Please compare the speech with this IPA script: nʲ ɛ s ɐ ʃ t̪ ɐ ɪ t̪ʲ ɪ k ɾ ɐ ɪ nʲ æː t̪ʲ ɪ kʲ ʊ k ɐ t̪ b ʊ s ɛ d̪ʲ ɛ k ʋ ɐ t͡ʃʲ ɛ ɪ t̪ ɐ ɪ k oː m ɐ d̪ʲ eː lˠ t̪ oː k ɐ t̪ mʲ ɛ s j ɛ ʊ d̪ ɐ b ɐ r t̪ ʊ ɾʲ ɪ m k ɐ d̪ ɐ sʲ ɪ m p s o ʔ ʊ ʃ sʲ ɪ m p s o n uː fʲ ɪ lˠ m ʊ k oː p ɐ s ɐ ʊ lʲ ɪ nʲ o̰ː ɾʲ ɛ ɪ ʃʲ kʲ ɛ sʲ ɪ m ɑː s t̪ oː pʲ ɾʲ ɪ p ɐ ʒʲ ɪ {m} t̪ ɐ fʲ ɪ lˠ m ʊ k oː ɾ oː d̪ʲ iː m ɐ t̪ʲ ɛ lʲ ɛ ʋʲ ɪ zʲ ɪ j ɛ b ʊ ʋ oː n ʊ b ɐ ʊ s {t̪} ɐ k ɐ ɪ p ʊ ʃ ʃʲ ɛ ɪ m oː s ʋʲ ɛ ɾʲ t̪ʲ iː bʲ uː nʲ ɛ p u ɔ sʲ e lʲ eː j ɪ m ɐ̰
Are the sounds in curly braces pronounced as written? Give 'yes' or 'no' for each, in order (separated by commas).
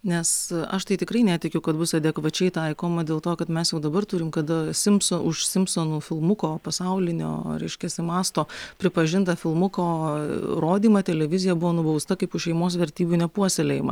no, yes